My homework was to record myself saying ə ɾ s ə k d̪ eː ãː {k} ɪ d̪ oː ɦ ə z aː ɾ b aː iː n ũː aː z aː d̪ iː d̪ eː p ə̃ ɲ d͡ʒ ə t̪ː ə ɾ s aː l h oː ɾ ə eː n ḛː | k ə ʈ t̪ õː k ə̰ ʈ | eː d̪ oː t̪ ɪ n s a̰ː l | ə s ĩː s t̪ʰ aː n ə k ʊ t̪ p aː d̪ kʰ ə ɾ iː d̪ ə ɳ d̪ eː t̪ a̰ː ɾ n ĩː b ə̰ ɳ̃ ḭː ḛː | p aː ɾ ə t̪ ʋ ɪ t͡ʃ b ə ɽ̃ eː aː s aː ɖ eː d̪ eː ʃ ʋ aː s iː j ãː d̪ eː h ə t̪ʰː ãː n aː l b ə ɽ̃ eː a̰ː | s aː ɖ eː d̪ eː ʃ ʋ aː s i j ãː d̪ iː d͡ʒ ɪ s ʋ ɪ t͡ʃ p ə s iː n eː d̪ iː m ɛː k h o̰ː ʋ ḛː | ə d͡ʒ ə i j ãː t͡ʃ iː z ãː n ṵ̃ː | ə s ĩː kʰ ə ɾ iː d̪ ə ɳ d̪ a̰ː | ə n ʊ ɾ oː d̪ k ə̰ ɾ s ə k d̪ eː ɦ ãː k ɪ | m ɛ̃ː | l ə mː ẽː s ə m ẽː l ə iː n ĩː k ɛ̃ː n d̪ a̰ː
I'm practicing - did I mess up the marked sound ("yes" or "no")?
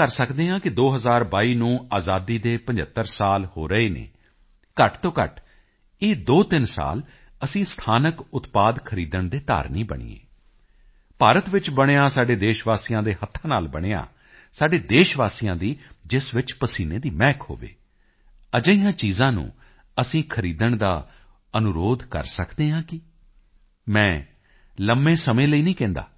no